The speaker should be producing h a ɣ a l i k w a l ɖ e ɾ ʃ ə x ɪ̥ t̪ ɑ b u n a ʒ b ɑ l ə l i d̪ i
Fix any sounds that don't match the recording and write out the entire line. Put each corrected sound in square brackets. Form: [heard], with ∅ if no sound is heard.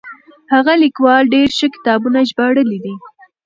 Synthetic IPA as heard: h a ɣ a l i k w [ɑ] l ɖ e ɾ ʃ ə [k] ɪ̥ t̪ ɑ b u n a ʒ b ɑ [ɽ] ə l i d̪ i